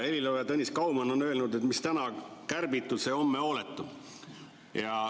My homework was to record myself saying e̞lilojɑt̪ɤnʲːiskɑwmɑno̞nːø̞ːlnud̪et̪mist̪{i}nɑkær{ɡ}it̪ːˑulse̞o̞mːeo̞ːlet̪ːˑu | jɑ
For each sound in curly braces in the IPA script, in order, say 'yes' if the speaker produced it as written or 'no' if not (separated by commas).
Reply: no, no